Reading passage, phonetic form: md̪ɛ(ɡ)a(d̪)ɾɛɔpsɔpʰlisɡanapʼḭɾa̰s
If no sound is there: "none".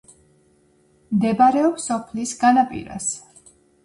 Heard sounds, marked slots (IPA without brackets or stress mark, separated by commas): b, none